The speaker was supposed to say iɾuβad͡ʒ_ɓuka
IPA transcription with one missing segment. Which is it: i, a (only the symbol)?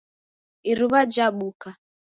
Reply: a